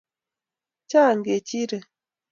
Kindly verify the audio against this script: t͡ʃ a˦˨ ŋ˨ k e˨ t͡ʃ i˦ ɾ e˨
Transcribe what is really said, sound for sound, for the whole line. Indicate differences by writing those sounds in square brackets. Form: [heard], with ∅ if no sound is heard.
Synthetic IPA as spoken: t͡ʃ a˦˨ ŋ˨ [ɡ] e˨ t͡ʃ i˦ ɾ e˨